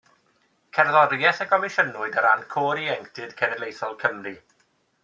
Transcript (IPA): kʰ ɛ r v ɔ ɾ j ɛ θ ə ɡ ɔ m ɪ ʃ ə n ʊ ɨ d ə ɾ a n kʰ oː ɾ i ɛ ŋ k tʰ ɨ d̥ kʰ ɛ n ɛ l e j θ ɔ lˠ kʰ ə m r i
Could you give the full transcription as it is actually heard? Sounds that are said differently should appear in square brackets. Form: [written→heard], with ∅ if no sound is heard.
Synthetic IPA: kʰ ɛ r [v→ð] ɔ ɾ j ɛ θ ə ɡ ɔ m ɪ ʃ ə n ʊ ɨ d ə ɾ a n kʰ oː ɾ i ɛ ŋ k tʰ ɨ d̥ kʰ ɛ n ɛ l e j θ ɔ lˠ kʰ ə m r i

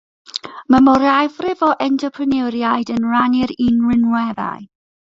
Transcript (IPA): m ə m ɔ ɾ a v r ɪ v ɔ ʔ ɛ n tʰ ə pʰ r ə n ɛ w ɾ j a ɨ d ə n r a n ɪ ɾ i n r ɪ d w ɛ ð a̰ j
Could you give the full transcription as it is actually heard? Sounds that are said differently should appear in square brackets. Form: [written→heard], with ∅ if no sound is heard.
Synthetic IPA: m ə m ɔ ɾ a v r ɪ v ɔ ʔ ɛ n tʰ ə pʰ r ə n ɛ w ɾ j a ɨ d ə n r a n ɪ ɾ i n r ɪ [d→n] w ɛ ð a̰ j

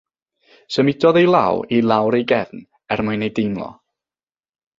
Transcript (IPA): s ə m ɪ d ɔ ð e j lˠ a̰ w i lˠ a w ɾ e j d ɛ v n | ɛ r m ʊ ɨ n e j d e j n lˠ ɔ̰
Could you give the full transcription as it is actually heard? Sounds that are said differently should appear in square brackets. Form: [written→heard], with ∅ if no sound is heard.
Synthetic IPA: s ə m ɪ d ɔ ð e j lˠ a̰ w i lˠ a w ɾ e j [d→ɡ] ɛ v n | ɛ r m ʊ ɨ n e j d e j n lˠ ɔ̰

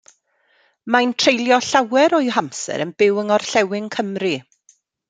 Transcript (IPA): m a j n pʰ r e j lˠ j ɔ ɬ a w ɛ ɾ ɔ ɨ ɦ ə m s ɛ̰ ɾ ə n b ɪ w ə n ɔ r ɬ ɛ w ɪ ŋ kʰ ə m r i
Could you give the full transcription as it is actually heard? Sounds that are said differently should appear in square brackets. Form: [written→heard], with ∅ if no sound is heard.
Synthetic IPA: m a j n [pʰ→tʰ] r e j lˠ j ɔ ɬ a w ɛ ɾ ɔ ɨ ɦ [ə→a] m s ɛ̰ ɾ ə n b ɪ w ə [n→ŋ] ɔ r ɬ ɛ w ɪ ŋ kʰ ə m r i

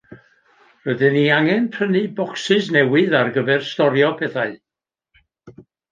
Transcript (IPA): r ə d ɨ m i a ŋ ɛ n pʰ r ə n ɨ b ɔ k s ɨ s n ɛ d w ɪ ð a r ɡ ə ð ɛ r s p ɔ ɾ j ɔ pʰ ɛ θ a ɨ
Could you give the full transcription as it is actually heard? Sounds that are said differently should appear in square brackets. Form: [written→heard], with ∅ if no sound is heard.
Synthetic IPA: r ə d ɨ [m→n] i a ŋ ɛ n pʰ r ə n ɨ b ɔ k s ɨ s n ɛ [d→∅] w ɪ ð a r ɡ ə [ð→v] ɛ r s [p→t] ɔ ɾ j ɔ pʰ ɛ θ a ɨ

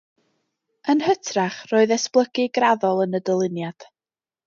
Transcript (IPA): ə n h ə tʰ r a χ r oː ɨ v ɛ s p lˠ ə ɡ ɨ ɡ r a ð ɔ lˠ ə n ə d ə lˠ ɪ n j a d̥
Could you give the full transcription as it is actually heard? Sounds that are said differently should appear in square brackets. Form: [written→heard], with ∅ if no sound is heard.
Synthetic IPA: ə n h ə tʰ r a χ r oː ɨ [v→ð] ɛ s p lˠ ə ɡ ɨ ɡ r a ð ɔ lˠ ə n ə d ə lˠ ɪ n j a d̥

